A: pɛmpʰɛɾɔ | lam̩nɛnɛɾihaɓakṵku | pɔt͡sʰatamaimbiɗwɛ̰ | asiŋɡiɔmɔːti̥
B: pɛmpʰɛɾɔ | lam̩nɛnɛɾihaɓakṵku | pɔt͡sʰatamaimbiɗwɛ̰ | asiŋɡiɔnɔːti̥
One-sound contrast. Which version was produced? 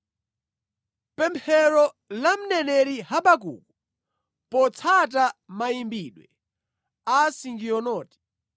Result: B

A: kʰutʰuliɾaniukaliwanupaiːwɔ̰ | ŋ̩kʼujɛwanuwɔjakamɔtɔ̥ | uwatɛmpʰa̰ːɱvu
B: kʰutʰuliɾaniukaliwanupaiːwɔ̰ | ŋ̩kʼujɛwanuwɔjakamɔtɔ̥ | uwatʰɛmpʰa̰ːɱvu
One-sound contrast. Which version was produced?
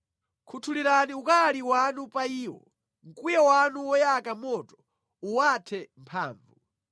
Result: B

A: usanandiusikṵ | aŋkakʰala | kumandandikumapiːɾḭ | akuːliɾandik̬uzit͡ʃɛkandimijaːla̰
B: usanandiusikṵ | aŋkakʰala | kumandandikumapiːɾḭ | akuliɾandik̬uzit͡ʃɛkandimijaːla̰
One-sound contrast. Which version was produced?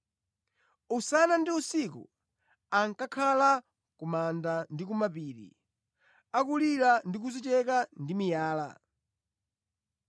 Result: B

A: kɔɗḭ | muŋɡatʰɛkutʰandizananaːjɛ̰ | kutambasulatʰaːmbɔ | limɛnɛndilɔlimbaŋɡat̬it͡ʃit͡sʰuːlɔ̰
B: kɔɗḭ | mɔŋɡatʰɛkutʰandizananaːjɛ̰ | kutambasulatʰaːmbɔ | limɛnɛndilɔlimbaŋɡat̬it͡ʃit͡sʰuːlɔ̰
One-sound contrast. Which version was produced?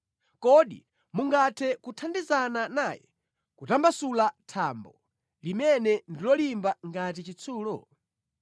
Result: A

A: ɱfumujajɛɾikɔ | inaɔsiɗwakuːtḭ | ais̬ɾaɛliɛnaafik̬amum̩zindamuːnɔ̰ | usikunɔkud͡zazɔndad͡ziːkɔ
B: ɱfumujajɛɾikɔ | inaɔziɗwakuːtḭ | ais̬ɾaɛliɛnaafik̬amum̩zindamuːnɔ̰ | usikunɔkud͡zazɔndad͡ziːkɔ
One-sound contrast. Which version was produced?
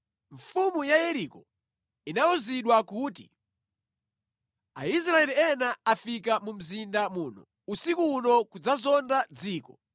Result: B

